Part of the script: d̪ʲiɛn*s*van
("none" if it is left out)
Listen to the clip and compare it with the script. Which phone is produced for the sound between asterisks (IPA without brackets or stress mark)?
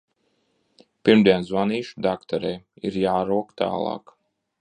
z